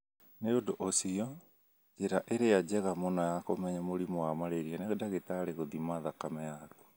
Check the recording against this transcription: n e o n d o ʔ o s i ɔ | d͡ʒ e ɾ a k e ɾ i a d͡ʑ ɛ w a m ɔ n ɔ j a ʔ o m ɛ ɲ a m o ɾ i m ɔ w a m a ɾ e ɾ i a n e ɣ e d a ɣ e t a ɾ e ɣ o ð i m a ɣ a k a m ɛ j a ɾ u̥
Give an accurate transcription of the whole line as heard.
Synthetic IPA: n e o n d o ʔ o s i ɔ | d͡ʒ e ɾ a ʔ e ɾ e a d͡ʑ ɛ ɣ a m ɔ n ɔ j a k o m ɛ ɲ a m o ɾ i m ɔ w a m a ɾ e ɾ i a n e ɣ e d a ɣ e t a ɾ e ɣ o ð i m a ð a k a m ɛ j a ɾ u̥